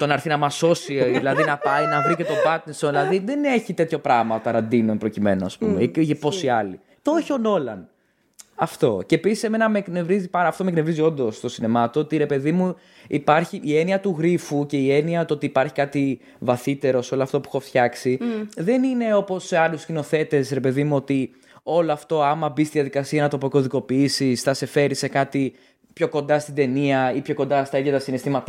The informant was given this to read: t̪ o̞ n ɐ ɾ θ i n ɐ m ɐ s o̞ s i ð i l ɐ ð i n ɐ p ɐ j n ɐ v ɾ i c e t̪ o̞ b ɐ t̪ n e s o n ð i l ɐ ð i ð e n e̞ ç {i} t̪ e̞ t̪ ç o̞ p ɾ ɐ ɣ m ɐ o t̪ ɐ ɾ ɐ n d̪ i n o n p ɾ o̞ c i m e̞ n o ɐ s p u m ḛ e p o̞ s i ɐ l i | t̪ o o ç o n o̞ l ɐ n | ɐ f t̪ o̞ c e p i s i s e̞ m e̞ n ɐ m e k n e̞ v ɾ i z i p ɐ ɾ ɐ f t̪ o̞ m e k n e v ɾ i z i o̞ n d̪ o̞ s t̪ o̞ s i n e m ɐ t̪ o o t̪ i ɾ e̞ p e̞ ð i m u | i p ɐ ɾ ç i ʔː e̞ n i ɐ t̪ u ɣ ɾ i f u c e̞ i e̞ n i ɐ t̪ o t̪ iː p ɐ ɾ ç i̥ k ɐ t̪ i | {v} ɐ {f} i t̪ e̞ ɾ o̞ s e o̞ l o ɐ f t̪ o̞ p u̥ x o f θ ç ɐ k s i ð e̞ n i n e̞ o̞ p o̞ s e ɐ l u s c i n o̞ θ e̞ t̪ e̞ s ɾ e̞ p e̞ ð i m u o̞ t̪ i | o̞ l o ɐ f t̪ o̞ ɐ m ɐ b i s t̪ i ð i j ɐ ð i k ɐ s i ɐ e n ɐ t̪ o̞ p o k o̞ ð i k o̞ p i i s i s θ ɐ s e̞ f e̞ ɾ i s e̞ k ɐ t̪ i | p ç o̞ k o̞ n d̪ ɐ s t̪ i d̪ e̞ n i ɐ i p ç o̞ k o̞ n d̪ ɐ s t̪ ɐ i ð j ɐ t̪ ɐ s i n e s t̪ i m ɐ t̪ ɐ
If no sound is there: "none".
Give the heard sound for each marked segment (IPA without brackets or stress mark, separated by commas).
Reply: i, v, θ